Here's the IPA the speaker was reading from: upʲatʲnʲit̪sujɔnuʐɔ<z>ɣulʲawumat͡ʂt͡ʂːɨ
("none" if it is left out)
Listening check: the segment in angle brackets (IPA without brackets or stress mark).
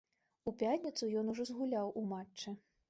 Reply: z